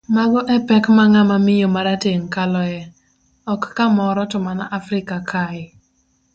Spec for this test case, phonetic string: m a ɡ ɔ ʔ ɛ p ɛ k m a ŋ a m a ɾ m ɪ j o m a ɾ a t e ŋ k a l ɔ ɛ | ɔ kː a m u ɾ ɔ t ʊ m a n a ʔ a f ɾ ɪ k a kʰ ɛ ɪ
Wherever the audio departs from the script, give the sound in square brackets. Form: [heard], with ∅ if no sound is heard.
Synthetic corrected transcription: m a ɡ ɔ ʔ ɛ p ɛ k m a ŋ a m a [∅] m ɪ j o m a ɾ a t e ŋ k a l ɔ ɛ | ɔ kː a m [ɔ] ɾ ɔ t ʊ m a n a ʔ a f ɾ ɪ k a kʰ [a] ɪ